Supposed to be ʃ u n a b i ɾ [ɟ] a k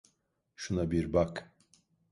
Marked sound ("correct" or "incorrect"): incorrect